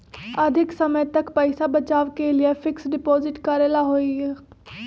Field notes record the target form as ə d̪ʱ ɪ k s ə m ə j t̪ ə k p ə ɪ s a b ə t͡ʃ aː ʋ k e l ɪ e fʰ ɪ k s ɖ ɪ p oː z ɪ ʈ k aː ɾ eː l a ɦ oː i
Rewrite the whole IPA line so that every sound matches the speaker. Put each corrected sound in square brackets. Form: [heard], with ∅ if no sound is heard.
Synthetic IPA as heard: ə d̪ʱ ɪ k s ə m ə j t̪ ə k p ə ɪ s a b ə t͡ʃ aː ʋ k e l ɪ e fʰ ɪ k s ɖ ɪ p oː z ɪ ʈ k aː ɾ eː l a ɦ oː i